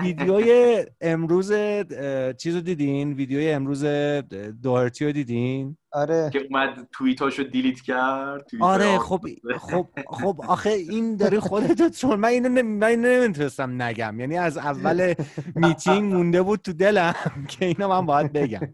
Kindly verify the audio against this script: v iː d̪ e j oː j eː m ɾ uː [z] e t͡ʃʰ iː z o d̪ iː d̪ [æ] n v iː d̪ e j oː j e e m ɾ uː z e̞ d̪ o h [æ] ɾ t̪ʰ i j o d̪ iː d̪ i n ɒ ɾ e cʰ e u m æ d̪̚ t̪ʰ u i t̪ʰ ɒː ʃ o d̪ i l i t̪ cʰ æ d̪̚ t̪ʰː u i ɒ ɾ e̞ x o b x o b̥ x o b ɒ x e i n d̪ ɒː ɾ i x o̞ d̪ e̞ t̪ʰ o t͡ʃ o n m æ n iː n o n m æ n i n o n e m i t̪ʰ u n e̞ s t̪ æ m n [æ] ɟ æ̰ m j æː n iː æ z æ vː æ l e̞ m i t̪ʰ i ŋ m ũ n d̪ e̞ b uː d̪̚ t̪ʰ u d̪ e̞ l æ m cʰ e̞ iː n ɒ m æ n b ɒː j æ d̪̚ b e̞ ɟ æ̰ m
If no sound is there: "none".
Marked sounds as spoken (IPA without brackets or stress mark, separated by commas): z, i, e, æ